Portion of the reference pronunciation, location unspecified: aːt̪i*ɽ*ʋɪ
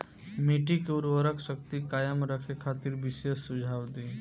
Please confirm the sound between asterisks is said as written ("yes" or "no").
no